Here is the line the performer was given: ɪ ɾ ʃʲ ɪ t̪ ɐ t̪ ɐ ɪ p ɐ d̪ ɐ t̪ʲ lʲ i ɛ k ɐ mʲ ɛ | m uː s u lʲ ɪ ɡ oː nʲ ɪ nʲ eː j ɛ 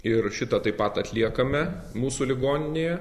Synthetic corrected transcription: ɪ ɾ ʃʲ ɪ t̪ ɐ t̪ ɐ ɪ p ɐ t̪ ɐ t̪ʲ lʲ i ɛ k ɐ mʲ ɛ | m uː s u lʲ ɪ ɡ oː nʲ ɪ nʲ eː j ɛ